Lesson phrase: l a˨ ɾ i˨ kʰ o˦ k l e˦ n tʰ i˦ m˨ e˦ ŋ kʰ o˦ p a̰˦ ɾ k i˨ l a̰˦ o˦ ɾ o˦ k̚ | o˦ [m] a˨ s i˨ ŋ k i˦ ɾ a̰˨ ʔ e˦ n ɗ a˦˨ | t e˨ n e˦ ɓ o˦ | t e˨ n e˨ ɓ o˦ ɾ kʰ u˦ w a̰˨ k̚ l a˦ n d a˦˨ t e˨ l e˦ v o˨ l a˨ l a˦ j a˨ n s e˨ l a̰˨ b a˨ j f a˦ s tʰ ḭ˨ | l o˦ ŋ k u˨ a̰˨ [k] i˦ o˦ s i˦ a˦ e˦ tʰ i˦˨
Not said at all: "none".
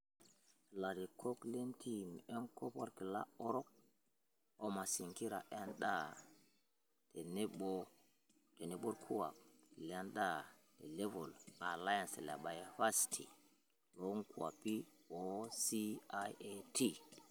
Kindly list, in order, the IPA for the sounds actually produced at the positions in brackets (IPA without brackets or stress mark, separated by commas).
m, p